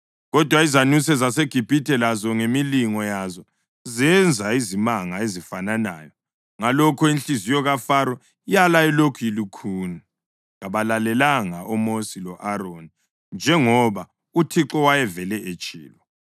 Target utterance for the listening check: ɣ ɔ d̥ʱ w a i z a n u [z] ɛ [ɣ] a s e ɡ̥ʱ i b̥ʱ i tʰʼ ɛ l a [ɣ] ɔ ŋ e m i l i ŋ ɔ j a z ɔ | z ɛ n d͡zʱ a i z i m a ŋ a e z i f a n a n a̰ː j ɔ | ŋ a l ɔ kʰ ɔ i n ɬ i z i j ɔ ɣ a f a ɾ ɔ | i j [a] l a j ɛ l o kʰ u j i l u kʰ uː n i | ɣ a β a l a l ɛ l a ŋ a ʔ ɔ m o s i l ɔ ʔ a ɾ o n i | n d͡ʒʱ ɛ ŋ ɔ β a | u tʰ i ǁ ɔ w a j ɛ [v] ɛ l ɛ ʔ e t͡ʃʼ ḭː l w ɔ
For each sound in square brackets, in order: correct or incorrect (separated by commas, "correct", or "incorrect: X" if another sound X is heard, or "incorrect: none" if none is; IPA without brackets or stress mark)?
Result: incorrect: s, incorrect: z, incorrect: z, correct, correct